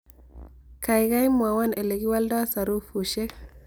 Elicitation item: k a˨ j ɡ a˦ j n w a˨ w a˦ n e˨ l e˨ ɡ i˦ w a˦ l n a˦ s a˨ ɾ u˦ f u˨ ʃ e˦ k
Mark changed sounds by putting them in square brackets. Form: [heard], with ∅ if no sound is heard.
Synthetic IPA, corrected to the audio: k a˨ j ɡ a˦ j [m] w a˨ w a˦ n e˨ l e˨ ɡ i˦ w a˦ l [d] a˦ s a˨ ɾ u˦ f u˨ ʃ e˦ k